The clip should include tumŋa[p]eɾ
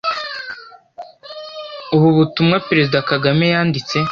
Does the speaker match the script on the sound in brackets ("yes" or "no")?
yes